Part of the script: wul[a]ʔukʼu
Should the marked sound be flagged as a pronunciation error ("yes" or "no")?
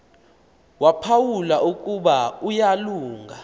no